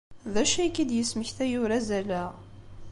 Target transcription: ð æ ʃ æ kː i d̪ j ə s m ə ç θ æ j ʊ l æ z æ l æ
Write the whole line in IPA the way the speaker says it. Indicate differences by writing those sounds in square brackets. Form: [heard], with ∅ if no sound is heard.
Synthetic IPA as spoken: ð æ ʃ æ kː i d̪ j ə s m ə ç θ æ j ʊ [ɾ] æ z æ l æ